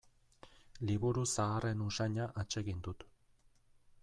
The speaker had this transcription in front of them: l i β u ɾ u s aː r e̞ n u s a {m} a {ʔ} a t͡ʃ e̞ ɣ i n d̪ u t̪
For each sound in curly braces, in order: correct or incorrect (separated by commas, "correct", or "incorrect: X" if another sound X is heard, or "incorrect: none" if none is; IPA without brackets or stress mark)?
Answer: incorrect: ɲ, correct